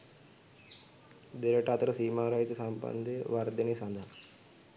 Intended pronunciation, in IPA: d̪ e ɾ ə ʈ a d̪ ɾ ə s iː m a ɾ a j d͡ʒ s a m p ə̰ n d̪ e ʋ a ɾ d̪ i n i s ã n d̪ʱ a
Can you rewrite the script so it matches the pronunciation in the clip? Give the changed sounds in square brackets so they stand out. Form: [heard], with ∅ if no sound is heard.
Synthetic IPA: d̪ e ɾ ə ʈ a [t̪] ɾ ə s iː m a ɾ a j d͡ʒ s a m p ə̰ n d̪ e ʋ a ɾ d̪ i n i s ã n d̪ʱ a